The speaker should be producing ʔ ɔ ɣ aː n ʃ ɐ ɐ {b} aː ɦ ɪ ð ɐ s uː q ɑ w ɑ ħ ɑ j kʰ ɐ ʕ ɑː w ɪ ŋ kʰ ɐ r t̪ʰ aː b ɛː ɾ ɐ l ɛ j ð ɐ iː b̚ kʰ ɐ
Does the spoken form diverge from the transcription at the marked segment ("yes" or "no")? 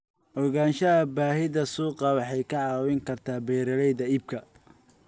no